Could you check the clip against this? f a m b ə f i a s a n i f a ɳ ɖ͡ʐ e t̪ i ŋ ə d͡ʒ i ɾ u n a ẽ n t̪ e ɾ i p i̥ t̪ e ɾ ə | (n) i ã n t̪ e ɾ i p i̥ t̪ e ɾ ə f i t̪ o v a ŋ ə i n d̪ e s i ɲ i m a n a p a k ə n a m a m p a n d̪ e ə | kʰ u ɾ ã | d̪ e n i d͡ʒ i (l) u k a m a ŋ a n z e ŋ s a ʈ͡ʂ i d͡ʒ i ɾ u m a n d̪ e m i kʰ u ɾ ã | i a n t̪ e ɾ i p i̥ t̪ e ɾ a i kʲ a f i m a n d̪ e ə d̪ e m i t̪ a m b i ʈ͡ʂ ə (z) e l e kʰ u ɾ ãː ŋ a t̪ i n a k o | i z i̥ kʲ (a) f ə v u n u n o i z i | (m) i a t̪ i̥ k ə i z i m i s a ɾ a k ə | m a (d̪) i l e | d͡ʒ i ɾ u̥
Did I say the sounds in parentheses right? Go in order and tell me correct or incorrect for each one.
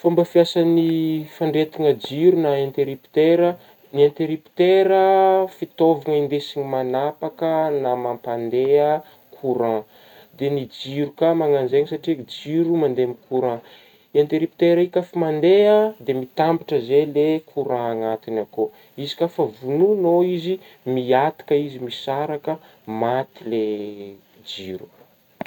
correct, incorrect: ɾ, correct, correct, correct, incorrect: t̪

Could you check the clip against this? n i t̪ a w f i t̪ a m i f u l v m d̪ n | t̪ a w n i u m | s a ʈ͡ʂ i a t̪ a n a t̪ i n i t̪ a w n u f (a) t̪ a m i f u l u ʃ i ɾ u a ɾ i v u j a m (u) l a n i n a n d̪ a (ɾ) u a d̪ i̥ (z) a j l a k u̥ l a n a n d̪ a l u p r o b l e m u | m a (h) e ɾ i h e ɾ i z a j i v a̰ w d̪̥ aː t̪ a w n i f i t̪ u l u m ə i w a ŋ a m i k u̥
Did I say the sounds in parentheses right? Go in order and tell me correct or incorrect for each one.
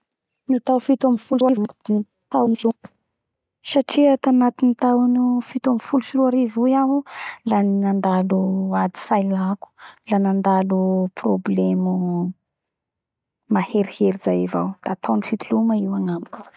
incorrect: i, correct, incorrect: l, incorrect: s, correct

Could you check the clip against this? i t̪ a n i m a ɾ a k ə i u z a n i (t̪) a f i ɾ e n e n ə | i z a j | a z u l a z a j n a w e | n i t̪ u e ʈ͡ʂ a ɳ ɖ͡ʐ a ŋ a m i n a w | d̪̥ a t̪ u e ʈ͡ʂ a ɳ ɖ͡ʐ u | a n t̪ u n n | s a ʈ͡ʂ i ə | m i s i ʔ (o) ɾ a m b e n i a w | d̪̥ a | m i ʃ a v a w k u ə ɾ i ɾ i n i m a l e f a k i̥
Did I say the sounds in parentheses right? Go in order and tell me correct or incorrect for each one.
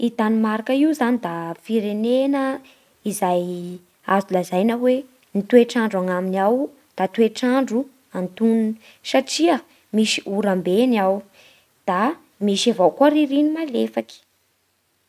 incorrect: d̪, incorrect: u

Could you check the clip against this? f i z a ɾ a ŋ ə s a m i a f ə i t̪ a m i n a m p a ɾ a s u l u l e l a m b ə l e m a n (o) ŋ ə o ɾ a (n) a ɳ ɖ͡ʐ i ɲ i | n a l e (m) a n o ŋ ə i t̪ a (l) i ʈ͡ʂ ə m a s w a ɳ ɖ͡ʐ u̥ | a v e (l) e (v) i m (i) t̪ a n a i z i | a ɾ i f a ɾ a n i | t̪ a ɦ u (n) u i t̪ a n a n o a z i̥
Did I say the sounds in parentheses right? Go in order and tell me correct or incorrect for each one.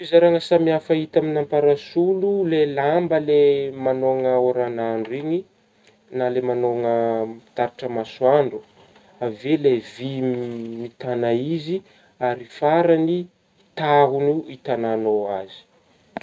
correct, correct, correct, incorrect: ɾ, correct, correct, correct, correct

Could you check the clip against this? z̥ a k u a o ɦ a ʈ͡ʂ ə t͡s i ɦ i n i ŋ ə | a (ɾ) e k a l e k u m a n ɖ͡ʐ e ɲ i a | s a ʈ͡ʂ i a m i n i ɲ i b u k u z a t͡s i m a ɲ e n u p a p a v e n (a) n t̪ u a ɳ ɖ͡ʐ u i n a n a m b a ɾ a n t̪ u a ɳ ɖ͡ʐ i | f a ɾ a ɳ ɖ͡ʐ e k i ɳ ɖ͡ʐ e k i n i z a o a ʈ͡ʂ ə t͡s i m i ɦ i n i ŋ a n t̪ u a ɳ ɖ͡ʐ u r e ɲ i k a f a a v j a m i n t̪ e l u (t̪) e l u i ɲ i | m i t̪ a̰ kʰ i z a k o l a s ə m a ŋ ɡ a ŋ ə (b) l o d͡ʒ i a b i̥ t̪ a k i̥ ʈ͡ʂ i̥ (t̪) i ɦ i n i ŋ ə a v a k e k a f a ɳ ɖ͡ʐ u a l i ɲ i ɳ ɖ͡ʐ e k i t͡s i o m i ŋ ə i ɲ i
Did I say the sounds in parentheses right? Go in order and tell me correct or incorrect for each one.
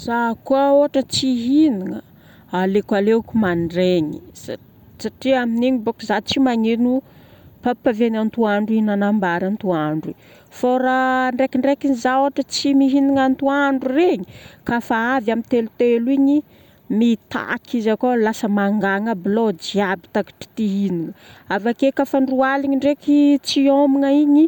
incorrect: l, correct, correct, correct, correct

